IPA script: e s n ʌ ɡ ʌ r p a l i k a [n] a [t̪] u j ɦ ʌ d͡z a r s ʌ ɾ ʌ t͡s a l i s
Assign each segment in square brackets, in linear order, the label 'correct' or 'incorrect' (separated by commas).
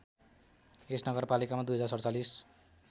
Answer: incorrect, incorrect